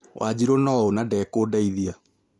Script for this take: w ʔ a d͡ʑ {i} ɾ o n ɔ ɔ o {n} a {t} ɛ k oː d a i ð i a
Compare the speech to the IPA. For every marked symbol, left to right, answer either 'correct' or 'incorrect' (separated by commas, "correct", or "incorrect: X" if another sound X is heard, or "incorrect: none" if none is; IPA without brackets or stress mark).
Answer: correct, correct, incorrect: d